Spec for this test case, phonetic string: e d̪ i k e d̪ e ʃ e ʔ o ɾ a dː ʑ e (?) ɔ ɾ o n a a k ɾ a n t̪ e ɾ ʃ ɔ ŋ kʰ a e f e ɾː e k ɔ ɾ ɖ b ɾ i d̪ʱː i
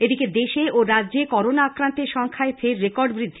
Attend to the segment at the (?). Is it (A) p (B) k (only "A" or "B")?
B